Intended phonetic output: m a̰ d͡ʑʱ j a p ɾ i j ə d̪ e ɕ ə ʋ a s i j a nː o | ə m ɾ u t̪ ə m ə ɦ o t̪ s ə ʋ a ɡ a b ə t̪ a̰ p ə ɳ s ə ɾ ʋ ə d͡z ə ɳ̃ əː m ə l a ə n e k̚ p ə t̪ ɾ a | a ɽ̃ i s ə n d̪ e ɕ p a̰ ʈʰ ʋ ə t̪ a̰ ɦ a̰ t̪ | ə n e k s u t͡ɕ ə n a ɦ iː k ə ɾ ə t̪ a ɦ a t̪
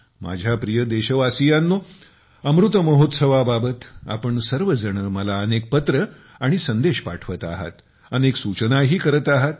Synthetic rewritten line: m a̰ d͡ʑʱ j a p ɾ i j ə d̪ e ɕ ə ʋ a s i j a nː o | ə m ɾ u t̪ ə m ə ɦ o t̪ s ə ʋ a b a b ə t̪ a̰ p ə ɳ s ə ɾ ʋ ə d͡z ə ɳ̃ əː m ə l a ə n e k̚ p ə t̪ ɾ ə | a ɽ̃ i s ə n d̪ e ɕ p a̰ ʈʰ ʋ ə t̪ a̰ ɦ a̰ t̪ | ə n e k s u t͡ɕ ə n a ɦ iː k ə ɾ ə t̪ a ɦ a t̪